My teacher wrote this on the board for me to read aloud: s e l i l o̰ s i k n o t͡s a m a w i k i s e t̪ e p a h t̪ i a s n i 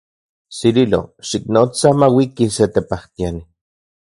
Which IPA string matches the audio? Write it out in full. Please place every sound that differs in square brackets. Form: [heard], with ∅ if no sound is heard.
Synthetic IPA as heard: s [i] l i l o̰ [ʃ] i k n o t͡s a m a w i k i s e t̪ e p a h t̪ i a [∅] n i